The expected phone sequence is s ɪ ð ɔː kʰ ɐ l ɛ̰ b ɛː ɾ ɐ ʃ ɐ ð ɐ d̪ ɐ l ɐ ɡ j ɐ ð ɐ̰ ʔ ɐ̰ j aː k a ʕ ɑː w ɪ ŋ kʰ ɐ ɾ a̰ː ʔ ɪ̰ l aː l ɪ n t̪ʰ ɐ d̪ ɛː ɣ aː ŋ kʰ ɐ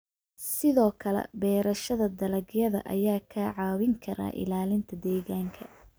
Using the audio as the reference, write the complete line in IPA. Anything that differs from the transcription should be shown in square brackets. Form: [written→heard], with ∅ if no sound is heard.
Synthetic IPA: s ɪ ð ɔː kʰ ɐ l ɛ̰ b ɛː ɾ ɐ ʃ ɐ ð ɐ d̪ ɐ l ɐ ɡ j ɐ ð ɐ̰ ʔ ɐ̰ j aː [k→kʰ] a ʕ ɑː w ɪ ŋ kʰ ɐ ɾ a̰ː ʔ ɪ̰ l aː l ɪ n t̪ʰ ɐ d̪ ɛː ɣ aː ŋ kʰ ɐ